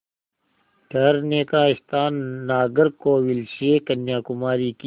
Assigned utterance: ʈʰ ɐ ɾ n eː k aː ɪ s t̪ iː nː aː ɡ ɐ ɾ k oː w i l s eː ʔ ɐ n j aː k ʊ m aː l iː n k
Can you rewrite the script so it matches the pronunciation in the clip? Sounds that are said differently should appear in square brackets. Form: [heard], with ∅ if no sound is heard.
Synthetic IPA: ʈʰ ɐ ɾ n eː k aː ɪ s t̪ [aː] nː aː ɡ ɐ ɾ k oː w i l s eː [k] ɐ n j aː k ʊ m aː [ɾ] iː [∅] k